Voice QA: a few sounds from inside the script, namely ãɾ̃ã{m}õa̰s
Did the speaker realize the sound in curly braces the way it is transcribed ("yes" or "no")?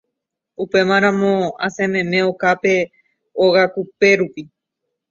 yes